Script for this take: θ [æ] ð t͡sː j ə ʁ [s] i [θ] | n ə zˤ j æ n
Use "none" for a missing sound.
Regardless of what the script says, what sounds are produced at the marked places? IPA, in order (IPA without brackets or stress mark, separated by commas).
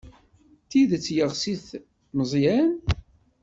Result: i, s, θ